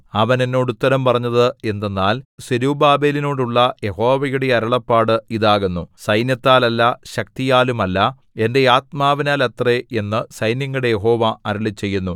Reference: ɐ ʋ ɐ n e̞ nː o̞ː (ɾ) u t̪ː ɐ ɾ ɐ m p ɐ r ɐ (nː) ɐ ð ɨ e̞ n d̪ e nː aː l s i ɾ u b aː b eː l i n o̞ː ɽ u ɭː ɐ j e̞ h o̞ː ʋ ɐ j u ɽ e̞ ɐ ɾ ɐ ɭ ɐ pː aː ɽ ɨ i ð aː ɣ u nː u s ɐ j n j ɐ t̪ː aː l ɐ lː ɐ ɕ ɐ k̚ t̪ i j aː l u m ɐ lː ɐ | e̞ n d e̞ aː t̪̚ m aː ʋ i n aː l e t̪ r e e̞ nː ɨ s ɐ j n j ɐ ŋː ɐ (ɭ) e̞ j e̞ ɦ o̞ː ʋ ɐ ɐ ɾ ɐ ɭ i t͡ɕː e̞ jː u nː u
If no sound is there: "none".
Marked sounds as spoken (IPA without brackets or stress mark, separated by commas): ɽ, ɲː, ɽ